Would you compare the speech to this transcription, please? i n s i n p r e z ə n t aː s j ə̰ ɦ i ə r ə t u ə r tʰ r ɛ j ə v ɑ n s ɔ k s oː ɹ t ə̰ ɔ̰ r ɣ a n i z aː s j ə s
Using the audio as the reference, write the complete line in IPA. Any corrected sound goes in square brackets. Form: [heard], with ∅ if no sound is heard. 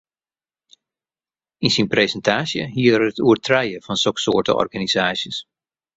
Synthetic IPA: i n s i n p r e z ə n t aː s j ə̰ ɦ i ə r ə t u ə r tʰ r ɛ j ə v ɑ n s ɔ k s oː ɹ t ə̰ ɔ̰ r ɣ a n i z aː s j ə s